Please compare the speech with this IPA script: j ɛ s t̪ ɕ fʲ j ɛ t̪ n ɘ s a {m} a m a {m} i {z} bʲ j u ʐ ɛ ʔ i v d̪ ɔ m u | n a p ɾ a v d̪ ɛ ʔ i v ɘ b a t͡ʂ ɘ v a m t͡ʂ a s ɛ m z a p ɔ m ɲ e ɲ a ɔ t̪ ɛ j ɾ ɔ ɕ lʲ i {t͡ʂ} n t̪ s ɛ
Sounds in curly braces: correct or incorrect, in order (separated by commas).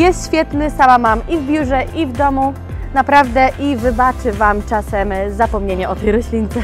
correct, correct, incorrect, incorrect